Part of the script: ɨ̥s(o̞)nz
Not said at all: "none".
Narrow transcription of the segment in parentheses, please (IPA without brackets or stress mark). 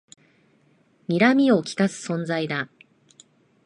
õ̞